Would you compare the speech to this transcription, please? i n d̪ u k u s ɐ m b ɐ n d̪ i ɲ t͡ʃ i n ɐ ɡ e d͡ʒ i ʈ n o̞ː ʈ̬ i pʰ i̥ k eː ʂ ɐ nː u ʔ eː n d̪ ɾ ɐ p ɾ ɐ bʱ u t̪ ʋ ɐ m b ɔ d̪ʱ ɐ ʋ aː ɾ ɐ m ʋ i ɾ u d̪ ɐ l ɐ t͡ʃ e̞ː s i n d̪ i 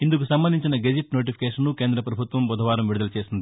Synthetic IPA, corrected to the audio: i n d̪ u k u s ɐ m b ɐ n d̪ i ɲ t͡ʃ i n ɐ ɡ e d͡ʒ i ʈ n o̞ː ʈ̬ i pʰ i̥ k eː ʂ ɐ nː u k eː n d̪ ɾ ɐ p ɾ ɐ bʱ u t̪ ʋ ɐ m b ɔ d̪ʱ ɐ ʋ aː ɾ ɐ m ʋ i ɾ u d̪ ɐ l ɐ t͡ʃ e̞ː s i n d̪ i